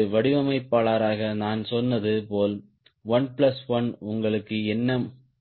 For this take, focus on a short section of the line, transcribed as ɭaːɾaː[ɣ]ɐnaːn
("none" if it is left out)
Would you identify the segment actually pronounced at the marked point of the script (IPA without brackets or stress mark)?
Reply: ɣ